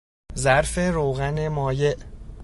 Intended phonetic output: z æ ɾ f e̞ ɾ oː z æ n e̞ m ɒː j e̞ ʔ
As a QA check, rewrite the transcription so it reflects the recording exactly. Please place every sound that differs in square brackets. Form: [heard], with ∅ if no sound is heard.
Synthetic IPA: z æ ɾ f e̞ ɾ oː [ɣ] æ n e̞ m ɒː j e̞ ʔ